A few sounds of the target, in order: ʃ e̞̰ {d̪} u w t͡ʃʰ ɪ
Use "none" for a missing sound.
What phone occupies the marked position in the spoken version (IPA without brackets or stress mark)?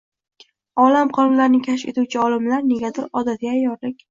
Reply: t̪